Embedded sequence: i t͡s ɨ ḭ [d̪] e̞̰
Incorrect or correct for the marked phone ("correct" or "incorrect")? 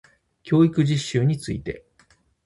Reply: incorrect